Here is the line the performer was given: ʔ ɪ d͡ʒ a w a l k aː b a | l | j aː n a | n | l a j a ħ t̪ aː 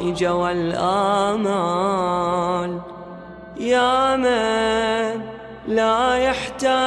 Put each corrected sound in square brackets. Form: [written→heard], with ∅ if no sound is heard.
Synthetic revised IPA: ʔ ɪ d͡ʒ a w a l [k→ʔ] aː [b→m] a | l | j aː [n→m] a | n | l a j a ħ t̪ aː

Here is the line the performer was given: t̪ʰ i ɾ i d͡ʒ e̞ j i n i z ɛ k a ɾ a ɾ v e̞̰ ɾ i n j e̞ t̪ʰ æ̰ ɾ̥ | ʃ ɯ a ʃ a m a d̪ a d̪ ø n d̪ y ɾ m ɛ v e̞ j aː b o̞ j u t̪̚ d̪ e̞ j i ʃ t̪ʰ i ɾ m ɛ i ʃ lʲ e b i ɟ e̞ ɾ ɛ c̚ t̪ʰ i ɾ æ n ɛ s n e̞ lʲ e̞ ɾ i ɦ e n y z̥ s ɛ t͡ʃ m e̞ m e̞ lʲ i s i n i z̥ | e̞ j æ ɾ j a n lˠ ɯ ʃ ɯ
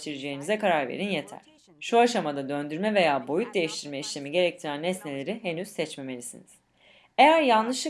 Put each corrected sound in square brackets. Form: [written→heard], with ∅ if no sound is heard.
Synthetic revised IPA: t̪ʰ i ɾ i d͡ʒ e̞ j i n i z ɛ k a ɾ a ɾ v e̞̰ ɾ i n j e̞ t̪ʰ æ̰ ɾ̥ | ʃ [ɯ→u] a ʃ a m a d̪ a d̪ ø n d̪ y ɾ m ɛ v e̞ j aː b o̞ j u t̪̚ d̪ e̞ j i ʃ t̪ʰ i ɾ m ɛ i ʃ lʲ e [b→m] i ɟ e̞ ɾ ɛ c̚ t̪ʰ i ɾ æ n ɛ s n e̞ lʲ e̞ ɾ i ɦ e n y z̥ s ɛ t͡ʃ m e̞ m e̞ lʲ i s i n i z̥ | e̞ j æ ɾ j a n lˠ ɯ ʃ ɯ

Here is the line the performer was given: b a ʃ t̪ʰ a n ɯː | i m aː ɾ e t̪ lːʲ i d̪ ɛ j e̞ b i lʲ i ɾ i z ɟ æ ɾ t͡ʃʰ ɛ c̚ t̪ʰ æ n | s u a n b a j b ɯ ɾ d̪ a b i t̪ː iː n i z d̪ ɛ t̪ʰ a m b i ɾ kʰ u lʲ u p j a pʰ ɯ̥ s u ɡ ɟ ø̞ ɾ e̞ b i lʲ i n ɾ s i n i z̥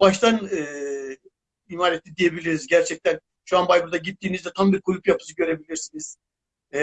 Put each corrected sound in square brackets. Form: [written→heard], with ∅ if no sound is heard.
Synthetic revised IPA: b a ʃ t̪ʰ a n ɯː | i m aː ɾ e t̪ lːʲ i d̪ [ɛ→i] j e̞ b i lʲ i ɾ i z ɟ æ ɾ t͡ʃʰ ɛ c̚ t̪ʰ æ n | [s→ʃ] u a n b a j b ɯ ɾ d̪ a [b→ɟ] i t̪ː iː n i z d̪ ɛ t̪ʰ a m b i ɾ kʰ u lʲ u p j a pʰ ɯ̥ s [u→ɯ] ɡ ɟ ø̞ ɾ e̞ b i lʲ i [n→∅] ɾ s i n i z̥

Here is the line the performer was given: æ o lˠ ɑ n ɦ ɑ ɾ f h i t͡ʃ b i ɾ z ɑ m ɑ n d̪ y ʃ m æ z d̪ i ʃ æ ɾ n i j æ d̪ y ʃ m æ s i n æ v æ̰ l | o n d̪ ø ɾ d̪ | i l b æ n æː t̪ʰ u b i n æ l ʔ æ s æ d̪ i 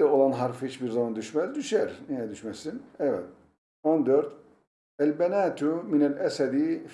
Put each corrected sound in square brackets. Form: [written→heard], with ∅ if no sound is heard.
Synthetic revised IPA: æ o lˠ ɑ n ɦ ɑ ɾ f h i t͡ʃ b i ɾ z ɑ m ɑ n d̪ y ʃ m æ z d̪ [i→y] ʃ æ ɾ n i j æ d̪ y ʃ m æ s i n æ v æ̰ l | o n d̪ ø ɾ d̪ | [i→æ] l b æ n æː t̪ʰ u [b→m] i n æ l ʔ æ s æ d̪ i

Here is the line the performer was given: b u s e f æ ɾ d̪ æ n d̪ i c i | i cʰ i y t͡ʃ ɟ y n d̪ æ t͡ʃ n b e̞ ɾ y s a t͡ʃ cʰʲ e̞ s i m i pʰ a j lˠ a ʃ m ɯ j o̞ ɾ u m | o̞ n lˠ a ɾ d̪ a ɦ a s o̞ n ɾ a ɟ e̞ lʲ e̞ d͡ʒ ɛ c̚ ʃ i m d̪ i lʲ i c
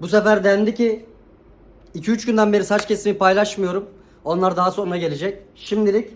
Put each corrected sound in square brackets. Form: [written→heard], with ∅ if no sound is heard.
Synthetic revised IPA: b u s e f æ ɾ d̪ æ n d̪ i c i | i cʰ i y t͡ʃ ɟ y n d̪ æ [t͡ʃ→∅] n b e̞ ɾ [y→i] s a t͡ʃ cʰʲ e̞ s i m i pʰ a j lˠ a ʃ m ɯ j o̞ ɾ u m | o̞ n lˠ a ɾ d̪ a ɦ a s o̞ n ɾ a ɟ e̞ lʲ e̞ d͡ʒ ɛ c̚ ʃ i m d̪ i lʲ i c

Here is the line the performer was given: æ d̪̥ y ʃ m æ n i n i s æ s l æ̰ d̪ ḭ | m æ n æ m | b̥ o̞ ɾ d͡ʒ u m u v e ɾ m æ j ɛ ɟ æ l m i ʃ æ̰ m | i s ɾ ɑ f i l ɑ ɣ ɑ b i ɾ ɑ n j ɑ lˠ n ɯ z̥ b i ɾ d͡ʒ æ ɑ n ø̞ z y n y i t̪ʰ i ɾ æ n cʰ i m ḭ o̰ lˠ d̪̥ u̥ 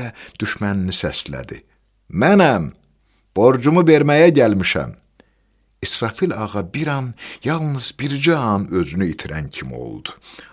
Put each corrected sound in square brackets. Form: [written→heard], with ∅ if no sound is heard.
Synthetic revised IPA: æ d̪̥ y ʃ m æ n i n i s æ s l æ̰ d̪ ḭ | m æ n æ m | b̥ o̞ ɾ d͡ʒ u m u v e ɾ m æ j [ɛ→æ] ɟ æ l m i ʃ æ̰ m | i s ɾ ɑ f i l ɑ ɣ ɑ b i ɾ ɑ n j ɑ lˠ n ɯ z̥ b i ɾ d͡ʒ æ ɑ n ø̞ z y n y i t̪ʰ i ɾ æ n cʰ i m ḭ o̰ lˠ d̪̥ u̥

